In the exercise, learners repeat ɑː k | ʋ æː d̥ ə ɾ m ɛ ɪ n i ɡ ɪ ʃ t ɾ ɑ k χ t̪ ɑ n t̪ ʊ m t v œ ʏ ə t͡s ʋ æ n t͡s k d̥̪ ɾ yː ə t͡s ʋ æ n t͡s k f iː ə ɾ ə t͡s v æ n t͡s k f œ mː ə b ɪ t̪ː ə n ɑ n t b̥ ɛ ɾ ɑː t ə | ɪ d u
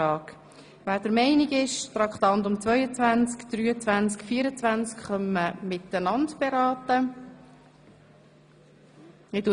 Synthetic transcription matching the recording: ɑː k | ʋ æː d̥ ə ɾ m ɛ ɪ n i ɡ ɪ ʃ t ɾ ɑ k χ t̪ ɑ n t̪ ʊ m t͡s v œ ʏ ə t͡s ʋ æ n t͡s k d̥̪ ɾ yː ə t͡s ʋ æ n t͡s k f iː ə ɾ ə t͡s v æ n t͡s k χ œ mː ə m ɪ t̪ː ə n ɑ n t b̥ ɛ ɾ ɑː t ə | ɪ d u